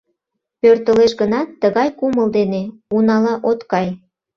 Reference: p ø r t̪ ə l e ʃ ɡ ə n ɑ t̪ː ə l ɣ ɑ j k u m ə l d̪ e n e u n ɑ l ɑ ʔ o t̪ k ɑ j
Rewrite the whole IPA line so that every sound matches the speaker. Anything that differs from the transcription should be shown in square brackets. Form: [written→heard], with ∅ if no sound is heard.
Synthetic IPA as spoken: p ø r t̪ ə l e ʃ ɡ ə n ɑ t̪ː ə [l→∅] ɣ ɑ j k u m ə l d̪ e n e u n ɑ l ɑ ʔ o t̪ k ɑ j